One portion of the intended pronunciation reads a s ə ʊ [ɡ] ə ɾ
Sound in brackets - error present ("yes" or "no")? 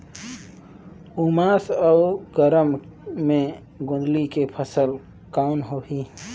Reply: no